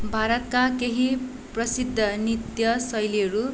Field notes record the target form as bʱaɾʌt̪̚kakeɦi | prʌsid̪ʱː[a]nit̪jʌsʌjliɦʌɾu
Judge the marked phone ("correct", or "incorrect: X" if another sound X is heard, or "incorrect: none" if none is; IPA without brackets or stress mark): incorrect: ʌ